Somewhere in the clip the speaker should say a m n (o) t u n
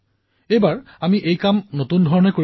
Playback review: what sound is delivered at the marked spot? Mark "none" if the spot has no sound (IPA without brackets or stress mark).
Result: o